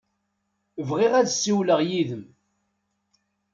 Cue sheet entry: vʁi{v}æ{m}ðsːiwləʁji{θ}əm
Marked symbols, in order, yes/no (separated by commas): no, no, no